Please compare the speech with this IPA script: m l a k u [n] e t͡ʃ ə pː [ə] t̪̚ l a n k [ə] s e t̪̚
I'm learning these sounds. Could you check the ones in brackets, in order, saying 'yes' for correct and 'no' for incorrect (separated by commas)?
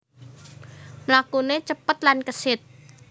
yes, yes, yes